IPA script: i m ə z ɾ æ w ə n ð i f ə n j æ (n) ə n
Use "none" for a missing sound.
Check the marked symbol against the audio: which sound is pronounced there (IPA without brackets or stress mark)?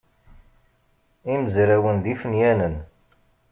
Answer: n